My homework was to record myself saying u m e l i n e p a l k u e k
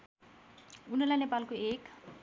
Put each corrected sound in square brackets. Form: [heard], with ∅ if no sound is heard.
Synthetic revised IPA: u [n] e l [a] n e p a l k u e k

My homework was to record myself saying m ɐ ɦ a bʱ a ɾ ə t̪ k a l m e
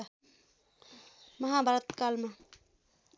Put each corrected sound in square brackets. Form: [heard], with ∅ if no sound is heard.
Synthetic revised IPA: m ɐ ɦ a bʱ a ɾ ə t̪ k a l m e

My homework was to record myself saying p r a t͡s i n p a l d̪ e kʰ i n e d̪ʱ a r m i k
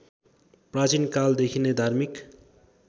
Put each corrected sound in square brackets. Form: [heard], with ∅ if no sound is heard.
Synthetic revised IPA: p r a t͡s i n [k] a l d̪ e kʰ i n e d̪ʱ a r m i k

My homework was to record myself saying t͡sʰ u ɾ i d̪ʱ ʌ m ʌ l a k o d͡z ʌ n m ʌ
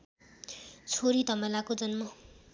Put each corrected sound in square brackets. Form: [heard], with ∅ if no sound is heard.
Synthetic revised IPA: t͡sʰ [o] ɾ i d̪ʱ ʌ m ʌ l a k o d͡z ʌ n m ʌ

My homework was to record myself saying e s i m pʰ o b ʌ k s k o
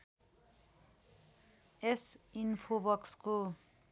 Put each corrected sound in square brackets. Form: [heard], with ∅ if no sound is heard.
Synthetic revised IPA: e s i [n] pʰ o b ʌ k s k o

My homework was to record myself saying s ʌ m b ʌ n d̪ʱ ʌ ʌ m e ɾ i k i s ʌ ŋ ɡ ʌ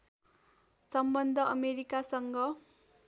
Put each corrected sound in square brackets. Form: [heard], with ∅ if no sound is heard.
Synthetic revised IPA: s ʌ m b ʌ n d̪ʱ ʌ ʌ m e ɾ i k [a] s ʌ ŋ ɡ ʌ

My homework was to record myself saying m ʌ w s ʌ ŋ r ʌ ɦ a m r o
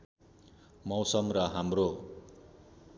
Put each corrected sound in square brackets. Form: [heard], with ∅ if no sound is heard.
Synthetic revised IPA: m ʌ w s ʌ [m] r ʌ ɦ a m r o

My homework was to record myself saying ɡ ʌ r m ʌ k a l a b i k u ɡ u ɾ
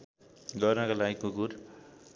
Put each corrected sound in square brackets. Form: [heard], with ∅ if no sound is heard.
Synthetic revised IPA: ɡ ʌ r [n] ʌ k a l a [ɡ] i k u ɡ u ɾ

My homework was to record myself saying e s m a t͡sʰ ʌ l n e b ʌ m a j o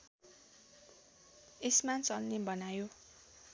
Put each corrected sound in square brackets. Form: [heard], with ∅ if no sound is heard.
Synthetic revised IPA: e s m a [t͡s] ʌ l n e b ʌ [n] a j o

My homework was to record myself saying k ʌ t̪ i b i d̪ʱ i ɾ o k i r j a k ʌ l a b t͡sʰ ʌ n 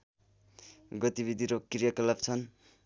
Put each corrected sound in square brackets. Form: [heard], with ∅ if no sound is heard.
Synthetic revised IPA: [ɡ] ʌ t̪ i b i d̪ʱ i ɾ o k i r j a k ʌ l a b t͡sʰ ʌ n

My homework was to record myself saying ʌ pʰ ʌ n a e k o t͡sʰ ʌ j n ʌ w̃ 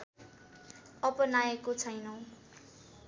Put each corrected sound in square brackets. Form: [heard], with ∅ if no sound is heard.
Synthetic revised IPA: ʌ [p] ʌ n a e k o t͡sʰ ʌ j n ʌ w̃

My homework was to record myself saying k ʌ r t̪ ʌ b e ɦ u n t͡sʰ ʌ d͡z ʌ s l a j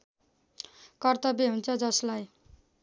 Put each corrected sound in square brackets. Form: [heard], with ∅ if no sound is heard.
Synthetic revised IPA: k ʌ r t̪ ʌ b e ɦ u n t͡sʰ ʌ d͡z ʌ s l a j

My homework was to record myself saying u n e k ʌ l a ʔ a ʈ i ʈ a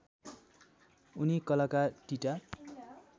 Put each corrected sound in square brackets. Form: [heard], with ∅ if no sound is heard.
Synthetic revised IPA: u n [i] k ʌ l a [k] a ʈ i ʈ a

